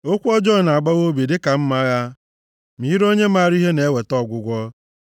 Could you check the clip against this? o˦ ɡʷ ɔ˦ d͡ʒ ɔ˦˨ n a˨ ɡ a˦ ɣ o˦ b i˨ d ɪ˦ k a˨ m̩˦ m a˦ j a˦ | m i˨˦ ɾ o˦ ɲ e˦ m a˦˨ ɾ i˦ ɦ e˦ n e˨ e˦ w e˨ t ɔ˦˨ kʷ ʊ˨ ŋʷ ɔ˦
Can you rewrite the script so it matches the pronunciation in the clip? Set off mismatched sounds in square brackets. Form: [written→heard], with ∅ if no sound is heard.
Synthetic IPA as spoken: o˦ [ɡʷ→kʷ] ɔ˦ d͡ʒ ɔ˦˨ n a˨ [ɡ→ɡ͡b] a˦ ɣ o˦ b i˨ d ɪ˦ k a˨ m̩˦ m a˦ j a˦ | m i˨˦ ɾ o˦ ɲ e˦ m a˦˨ ɾ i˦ ɦ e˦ n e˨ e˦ w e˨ t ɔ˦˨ [kʷ→ɡʷ] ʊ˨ [ŋʷ→ɡʷ] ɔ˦

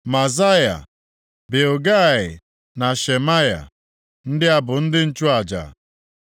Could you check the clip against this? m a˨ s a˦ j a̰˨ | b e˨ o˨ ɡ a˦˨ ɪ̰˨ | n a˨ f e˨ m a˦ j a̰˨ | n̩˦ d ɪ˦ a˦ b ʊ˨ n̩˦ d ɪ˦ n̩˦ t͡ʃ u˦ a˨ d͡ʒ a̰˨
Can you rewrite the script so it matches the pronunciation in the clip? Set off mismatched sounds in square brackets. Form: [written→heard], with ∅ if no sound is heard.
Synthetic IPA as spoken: m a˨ [s→z] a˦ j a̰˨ | b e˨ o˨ ɡ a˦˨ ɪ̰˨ | n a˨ [f→ʃ] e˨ m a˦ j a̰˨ | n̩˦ d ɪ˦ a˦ b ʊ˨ n̩˦ d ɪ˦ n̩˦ t͡ʃ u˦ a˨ d͡ʒ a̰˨

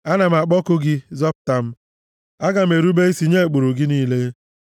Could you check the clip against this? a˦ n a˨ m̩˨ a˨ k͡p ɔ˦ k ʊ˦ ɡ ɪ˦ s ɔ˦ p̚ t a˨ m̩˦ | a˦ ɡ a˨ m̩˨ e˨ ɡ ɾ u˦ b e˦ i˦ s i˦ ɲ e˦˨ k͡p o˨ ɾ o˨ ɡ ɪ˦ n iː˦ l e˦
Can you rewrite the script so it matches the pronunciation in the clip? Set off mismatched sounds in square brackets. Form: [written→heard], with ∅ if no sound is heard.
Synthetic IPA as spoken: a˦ n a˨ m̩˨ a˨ k͡p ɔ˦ k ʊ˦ ɡ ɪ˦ [s→z] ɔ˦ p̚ t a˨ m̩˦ | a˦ ɡ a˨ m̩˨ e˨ [ɡ→∅] ɾ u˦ b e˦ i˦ s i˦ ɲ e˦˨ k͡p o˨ ɾ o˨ ɡ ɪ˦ n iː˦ l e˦

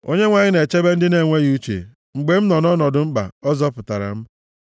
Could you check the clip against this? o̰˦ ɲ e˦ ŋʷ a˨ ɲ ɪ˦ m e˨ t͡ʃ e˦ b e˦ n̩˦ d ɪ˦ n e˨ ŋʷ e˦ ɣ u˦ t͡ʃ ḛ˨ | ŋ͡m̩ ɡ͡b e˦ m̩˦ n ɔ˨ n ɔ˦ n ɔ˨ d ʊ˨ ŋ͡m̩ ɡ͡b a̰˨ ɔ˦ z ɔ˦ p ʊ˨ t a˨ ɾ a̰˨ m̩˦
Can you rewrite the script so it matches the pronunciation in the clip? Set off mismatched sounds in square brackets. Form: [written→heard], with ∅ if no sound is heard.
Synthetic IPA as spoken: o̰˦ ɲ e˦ ŋʷ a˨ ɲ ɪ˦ [m→n] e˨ t͡ʃ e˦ b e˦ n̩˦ d ɪ˦ n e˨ ŋʷ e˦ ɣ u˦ t͡ʃ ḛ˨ | ŋ͡m̩ ɡ͡b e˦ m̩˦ n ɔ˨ n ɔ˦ n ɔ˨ d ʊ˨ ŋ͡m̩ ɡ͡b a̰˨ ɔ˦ z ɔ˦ p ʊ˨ t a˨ ɾ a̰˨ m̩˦

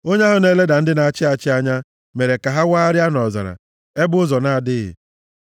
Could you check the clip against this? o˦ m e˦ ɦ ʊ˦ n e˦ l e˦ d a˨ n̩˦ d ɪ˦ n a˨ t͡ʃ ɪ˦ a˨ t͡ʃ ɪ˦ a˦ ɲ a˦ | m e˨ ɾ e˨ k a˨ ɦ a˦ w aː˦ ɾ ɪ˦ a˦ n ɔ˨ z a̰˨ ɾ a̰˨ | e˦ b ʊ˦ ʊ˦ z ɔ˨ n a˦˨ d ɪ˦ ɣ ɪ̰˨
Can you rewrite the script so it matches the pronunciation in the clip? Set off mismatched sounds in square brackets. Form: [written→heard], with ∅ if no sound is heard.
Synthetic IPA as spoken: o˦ [m→ɲ] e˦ ɦ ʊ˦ n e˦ l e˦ d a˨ n̩˦ d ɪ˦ n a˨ t͡ʃ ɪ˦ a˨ t͡ʃ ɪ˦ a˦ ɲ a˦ | m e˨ ɾ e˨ k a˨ ɦ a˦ w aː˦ ɾ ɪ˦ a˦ n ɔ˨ z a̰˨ ɾ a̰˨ | e˦ b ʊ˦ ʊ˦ z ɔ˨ n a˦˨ d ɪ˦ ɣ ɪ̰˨

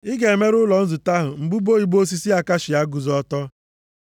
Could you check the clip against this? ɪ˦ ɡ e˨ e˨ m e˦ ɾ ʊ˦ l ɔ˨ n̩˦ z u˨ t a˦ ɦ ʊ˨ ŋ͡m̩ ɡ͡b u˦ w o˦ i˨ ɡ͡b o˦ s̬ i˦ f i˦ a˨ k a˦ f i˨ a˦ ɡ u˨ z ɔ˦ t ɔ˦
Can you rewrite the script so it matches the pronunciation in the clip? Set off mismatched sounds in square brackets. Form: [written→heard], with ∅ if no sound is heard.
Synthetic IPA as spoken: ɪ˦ ɡ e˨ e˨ m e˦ ɾ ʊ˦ l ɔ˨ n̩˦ z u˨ t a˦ ɦ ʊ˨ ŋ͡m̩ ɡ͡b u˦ [w→b] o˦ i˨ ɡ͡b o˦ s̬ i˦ [f→s] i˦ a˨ k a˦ [f→ʃ] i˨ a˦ ɡ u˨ z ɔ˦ t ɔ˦

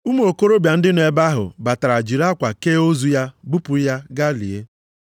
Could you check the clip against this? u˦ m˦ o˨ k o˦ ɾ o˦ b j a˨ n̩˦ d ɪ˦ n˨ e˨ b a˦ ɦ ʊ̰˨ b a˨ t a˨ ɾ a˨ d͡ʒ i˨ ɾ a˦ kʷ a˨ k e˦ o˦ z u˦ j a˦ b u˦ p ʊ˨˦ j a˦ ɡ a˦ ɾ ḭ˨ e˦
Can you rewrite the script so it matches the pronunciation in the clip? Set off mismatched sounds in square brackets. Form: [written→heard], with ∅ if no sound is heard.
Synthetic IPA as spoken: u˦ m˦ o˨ k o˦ ɾ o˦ b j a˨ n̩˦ d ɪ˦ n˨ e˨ b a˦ ɦ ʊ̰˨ b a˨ t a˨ ɾ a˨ d͡ʒ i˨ ɾ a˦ kʷ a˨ k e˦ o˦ z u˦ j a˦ b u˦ p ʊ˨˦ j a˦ ɡ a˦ [ɾ→l] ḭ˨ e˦

